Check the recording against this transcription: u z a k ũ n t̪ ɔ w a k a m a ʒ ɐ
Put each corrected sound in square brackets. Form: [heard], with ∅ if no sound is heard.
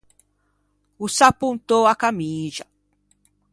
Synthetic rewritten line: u [s] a [p] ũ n t̪ [o] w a k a m [i] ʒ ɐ